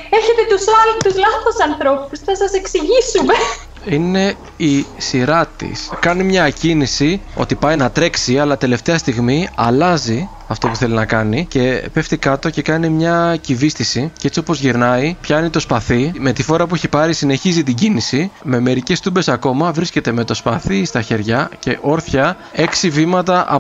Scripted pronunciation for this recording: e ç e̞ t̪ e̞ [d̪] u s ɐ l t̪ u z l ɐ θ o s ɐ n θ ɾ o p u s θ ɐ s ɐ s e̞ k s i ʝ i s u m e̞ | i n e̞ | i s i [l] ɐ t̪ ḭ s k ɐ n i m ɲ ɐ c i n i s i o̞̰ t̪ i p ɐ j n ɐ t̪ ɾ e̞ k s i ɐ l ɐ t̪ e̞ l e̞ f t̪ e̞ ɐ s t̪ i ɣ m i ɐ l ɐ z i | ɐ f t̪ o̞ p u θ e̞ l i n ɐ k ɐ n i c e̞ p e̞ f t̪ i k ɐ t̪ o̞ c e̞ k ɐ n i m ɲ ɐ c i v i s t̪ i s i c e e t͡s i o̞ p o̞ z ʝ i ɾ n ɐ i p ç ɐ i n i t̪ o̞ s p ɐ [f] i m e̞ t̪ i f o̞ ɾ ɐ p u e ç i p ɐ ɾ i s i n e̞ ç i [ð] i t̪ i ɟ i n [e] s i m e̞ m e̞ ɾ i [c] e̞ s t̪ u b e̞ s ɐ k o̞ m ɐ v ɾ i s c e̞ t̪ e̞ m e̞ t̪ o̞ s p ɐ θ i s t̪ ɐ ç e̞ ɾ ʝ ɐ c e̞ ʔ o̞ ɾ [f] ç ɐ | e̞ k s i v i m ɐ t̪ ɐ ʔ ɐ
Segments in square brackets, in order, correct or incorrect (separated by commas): incorrect, incorrect, incorrect, incorrect, incorrect, correct, incorrect